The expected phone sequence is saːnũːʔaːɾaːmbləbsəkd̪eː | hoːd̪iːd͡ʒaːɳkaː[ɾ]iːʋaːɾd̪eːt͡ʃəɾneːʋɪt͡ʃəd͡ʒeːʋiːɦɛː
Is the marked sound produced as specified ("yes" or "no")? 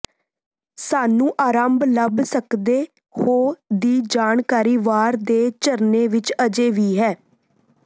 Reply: yes